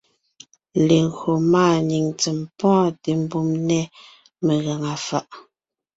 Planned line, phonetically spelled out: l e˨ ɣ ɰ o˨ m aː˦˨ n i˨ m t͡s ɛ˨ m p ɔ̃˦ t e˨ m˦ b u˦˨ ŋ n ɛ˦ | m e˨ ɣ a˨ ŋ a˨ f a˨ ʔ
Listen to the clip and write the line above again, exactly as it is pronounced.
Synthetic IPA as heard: l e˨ ɣ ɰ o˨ m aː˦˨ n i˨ ŋ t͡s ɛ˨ m p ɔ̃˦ t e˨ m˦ b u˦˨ m n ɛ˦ | m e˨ ɣ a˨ ŋ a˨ f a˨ ʔ